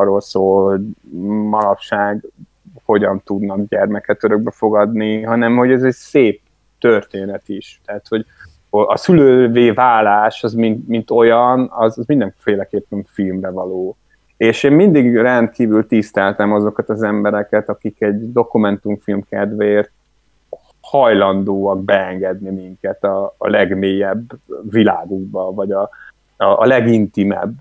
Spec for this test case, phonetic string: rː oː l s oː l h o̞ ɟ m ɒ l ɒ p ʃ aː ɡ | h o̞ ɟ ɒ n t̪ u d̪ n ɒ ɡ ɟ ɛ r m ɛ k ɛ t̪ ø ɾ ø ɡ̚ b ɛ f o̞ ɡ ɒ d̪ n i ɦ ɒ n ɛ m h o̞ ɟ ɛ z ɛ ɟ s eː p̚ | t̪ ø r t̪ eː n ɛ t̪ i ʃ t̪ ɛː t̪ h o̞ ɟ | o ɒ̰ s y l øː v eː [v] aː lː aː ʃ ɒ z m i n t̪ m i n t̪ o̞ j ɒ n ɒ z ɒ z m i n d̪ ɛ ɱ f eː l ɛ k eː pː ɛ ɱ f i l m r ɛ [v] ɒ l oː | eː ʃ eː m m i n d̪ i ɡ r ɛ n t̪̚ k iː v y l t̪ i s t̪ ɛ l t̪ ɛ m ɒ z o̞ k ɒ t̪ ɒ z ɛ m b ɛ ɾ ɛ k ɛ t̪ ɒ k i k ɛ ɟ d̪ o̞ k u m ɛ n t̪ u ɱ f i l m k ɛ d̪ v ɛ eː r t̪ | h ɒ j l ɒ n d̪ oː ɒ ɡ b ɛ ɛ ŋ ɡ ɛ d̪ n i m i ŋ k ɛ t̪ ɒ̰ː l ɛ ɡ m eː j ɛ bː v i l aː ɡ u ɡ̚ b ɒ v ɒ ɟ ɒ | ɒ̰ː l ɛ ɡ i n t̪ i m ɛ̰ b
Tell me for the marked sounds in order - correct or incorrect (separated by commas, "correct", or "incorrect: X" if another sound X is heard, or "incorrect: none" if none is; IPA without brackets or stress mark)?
correct, correct